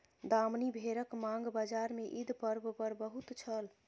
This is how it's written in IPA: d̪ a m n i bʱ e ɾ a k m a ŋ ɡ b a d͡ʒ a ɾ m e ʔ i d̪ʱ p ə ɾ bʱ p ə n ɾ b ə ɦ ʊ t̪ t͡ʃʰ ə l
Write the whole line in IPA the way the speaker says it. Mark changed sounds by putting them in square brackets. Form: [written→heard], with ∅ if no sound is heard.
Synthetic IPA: d̪ a m n i bʱ e ɾ [a→ə] k m a ŋ ɡ b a d͡ʒ a ɾ m e ʔ i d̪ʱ p ə ɾ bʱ p ə [n→∅] ɾ b ə ɦ [ʊ→u] t̪ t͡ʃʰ ə l